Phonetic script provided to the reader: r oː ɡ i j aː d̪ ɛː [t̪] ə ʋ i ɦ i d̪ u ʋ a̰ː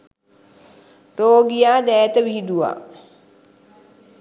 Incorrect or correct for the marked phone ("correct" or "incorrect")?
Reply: correct